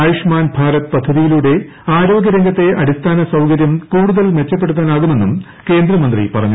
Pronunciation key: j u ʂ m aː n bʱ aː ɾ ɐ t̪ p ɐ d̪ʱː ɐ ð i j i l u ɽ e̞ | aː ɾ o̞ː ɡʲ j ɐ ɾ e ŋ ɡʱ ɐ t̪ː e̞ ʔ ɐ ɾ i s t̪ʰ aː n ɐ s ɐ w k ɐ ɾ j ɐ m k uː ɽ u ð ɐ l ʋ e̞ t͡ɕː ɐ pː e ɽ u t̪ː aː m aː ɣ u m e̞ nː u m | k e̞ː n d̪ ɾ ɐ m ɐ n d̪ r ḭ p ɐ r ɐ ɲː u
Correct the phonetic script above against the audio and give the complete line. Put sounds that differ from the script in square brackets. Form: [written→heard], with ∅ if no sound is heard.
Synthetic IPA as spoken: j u ʂ m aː n bʱ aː ɾ ɐ t̪ p ɐ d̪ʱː ɐ ð i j i l u ɽ e̞ | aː ɾ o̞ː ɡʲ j ɐ ɾ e ŋ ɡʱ ɐ t̪ː e̞ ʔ ɐ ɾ i s t̪ʰ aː n ɐ s ɐ w k ɐ ɾ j ɐ m k uː ɽ u ð ɐ l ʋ e̞ t͡ɕː ɐ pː e ɽ u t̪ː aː [m→n] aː ɣ u m e̞ nː u m | k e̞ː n d̪ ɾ ɐ m ɐ n d̪ r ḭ p ɐ r ɐ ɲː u